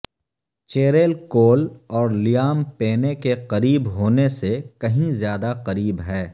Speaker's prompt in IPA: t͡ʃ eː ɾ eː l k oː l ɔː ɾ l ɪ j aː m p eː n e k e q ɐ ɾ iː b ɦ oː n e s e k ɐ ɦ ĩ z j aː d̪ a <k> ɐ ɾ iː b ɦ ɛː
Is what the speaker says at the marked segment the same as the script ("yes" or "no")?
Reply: no